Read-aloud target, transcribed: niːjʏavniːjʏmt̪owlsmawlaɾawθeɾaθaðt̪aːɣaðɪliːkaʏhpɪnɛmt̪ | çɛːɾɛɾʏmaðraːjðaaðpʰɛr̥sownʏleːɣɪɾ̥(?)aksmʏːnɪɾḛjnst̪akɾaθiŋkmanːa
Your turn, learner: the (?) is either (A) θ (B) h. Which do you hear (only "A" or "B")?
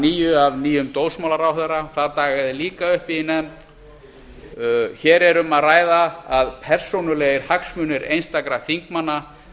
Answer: B